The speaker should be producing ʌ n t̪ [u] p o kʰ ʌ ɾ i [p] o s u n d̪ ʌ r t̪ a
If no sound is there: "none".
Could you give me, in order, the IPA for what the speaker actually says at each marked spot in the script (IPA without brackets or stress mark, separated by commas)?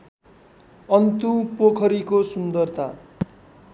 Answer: u, k